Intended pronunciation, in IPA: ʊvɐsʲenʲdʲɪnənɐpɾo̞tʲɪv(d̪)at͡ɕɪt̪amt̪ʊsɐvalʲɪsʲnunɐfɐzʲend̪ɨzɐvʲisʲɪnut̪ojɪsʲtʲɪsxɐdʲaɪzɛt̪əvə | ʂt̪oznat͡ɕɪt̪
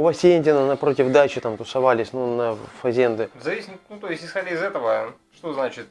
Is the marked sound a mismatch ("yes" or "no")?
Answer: no